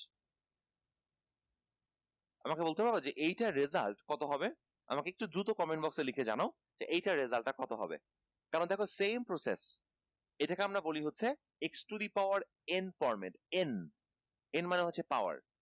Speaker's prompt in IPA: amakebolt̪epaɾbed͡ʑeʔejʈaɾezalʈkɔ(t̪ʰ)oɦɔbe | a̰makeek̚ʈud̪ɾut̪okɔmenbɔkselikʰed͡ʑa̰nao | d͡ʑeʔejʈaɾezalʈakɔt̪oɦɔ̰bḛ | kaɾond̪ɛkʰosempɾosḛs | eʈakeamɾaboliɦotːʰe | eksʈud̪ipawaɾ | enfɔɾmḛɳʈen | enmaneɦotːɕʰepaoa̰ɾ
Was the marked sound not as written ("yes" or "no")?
yes